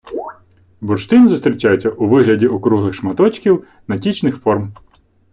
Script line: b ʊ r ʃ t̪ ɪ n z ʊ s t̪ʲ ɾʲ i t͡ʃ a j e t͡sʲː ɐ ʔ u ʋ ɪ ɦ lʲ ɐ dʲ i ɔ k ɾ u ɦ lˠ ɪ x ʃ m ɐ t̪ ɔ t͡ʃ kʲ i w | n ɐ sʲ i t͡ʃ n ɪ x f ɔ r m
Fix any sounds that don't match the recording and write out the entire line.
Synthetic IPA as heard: b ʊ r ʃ t̪ ɪ n z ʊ s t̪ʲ ɾʲ i t͡ʃ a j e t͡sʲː ɐ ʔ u ʋ ɪ ɦ lʲ ɐ dʲ i ɔ k ɾ u ɦ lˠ ɪ x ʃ m ɐ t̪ ɔ t͡ʃ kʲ i w | n ɐ tʲ i t͡ʃ n ɪ x f ɔ r m